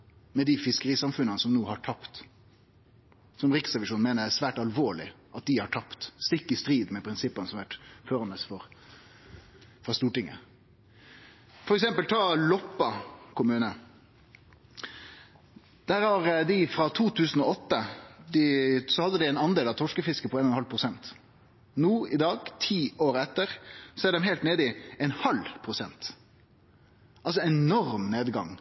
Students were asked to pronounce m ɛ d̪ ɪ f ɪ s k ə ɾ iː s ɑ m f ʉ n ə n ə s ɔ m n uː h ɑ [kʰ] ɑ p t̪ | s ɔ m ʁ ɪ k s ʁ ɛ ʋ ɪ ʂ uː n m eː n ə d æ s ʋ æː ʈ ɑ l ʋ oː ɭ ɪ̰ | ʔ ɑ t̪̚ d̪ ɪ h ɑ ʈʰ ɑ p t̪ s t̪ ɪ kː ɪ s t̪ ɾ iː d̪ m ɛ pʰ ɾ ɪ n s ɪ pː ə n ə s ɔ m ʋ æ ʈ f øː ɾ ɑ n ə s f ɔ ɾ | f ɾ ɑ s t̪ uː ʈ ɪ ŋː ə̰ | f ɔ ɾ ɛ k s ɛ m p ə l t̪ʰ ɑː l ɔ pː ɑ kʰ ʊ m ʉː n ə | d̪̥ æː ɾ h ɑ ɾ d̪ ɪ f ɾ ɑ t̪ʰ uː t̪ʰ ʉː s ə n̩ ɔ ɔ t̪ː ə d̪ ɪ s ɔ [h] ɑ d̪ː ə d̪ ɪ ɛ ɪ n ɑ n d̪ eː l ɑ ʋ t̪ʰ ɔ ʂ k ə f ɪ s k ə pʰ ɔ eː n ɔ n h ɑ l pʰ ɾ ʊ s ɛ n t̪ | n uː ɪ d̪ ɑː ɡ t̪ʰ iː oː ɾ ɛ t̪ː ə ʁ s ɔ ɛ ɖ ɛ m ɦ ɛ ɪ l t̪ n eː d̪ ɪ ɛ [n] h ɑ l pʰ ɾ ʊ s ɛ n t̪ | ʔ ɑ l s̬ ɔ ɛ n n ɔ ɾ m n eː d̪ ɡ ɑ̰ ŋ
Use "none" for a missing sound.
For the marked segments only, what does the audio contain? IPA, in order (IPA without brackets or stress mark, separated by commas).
ʈʰ, h, n